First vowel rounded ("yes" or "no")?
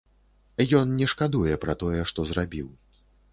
yes